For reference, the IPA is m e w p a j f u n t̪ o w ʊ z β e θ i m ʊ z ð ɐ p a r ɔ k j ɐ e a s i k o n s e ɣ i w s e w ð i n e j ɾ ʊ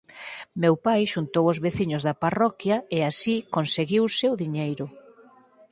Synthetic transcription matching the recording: m e w p a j ʃ u n t̪ o w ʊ z β e θ i ɲ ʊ z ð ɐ p a r ɔ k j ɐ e a s i k o n s e ɣ i w s e w ð i ɲ e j ɾ ʊ